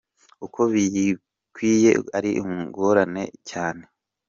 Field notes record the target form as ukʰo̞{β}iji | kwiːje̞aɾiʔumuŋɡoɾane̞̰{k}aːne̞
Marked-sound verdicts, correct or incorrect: correct, incorrect

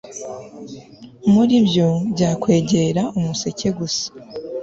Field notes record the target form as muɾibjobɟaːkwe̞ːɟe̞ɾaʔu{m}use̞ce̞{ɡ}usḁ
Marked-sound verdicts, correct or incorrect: correct, correct

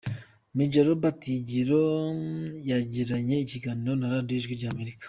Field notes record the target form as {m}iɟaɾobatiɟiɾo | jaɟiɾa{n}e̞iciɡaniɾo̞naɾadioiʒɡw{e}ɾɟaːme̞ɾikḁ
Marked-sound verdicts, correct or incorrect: correct, incorrect, incorrect

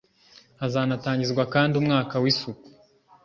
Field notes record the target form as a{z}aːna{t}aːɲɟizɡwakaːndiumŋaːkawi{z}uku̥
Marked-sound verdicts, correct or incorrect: correct, correct, incorrect

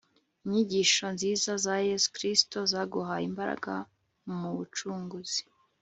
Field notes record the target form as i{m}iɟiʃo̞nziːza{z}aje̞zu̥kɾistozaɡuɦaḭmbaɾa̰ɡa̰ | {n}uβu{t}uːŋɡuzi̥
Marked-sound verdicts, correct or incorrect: incorrect, correct, incorrect, incorrect

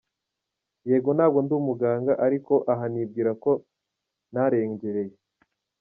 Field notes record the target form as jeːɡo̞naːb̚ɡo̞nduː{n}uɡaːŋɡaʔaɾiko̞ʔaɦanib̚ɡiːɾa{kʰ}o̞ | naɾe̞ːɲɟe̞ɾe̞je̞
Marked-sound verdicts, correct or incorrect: incorrect, incorrect

